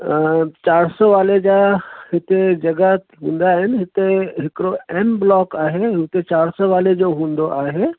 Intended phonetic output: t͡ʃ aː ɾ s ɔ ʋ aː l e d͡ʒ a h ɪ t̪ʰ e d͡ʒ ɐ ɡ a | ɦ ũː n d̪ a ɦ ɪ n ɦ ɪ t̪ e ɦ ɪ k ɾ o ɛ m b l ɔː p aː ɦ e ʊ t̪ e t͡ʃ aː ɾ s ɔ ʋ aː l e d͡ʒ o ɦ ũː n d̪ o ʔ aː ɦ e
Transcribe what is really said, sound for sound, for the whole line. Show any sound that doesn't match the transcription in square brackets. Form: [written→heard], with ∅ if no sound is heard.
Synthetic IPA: t͡ʃ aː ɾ s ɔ ʋ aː l e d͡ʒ a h ɪ [t̪ʰ→t̪] e d͡ʒ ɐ ɡ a | ɦ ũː n d̪ a ɦ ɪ n ɦ ɪ t̪ e ɦ ɪ k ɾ o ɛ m b l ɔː [p→k] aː ɦ e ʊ t̪ e t͡ʃ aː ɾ s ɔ ʋ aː l e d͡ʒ o ɦ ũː n d̪ o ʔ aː ɦ e